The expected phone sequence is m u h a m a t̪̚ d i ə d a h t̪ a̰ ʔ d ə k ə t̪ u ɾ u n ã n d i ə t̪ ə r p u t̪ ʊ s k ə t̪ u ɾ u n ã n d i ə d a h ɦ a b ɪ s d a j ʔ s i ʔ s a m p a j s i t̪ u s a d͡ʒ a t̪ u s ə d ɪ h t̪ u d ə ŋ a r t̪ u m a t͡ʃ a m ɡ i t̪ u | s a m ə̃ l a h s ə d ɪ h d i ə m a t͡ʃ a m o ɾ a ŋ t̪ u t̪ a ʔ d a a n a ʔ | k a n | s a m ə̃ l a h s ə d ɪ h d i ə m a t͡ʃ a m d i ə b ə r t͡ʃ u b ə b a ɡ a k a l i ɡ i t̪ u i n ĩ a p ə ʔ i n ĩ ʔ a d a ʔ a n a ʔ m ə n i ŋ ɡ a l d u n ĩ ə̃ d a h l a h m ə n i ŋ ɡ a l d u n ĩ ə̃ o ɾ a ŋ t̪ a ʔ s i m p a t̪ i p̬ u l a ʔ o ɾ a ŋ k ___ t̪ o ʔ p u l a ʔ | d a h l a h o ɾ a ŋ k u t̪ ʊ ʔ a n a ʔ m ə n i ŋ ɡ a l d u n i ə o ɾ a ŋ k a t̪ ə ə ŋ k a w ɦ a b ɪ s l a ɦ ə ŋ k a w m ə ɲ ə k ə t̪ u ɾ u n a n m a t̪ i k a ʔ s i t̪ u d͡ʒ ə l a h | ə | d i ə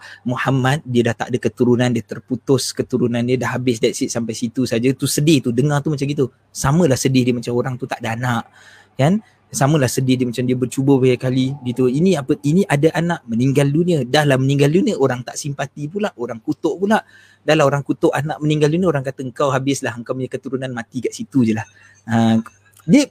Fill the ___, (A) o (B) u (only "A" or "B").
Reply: B